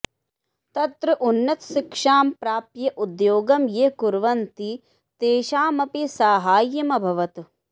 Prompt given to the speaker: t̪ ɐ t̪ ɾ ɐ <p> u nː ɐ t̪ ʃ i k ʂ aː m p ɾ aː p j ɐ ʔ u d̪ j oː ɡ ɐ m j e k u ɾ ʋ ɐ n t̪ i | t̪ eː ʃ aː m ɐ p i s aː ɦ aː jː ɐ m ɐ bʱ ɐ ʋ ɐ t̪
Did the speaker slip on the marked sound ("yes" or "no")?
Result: yes